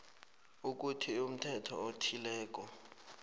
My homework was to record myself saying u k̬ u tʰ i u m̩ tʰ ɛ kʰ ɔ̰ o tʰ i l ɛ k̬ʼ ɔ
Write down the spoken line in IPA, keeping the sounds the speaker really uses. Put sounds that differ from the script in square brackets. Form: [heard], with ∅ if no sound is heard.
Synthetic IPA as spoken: u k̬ u tʰ i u m̩ tʰ ɛ [tʰ] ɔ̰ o tʰ i l [ɛː] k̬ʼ ɔ